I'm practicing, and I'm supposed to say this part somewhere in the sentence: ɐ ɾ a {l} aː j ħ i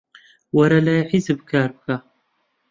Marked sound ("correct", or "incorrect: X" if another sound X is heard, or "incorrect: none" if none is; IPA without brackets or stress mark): correct